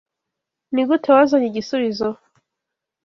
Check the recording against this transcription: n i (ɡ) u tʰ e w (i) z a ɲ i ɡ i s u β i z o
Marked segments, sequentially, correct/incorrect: correct, incorrect

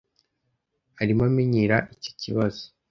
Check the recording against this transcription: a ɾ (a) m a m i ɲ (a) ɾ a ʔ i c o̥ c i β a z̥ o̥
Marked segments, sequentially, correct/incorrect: incorrect, incorrect

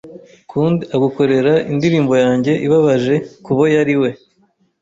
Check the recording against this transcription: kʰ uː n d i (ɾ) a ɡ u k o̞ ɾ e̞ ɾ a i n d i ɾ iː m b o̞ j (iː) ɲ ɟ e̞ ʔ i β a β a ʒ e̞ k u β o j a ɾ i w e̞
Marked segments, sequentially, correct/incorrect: incorrect, incorrect

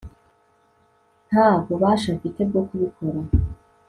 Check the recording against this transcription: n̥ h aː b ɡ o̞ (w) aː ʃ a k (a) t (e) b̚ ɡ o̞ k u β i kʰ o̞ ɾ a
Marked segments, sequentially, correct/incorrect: incorrect, incorrect, correct

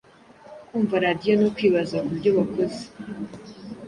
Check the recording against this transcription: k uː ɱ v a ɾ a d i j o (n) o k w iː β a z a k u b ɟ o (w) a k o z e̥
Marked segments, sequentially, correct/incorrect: correct, incorrect

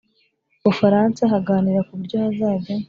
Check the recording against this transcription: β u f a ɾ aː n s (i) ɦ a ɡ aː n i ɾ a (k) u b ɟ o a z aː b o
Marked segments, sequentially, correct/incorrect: incorrect, correct

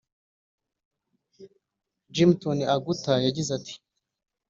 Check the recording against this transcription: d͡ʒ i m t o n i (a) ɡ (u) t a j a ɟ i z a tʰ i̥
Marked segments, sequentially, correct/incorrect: correct, correct

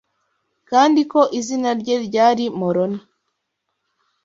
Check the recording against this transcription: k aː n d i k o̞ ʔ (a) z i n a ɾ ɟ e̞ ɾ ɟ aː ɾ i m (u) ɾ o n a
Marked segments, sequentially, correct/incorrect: incorrect, incorrect

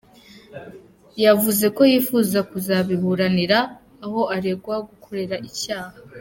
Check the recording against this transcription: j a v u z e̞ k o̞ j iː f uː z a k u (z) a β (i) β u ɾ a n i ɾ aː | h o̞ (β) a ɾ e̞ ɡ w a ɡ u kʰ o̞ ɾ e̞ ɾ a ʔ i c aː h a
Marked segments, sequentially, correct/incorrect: correct, correct, incorrect

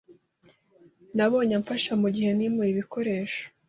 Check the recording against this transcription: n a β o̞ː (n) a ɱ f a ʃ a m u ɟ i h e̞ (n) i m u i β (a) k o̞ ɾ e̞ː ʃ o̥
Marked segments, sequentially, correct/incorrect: incorrect, correct, incorrect

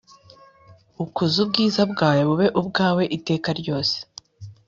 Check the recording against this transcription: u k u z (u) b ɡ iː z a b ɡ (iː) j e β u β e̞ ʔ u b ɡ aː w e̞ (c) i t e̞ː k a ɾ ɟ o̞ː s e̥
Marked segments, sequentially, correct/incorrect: correct, incorrect, incorrect

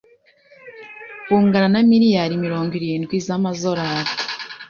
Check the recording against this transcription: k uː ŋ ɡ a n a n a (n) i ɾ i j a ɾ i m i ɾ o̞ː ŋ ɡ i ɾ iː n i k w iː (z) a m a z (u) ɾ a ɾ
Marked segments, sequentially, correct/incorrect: incorrect, correct, incorrect

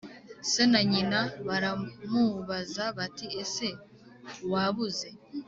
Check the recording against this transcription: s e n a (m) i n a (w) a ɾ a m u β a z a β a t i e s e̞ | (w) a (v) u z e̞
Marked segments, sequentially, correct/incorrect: incorrect, incorrect, correct, incorrect

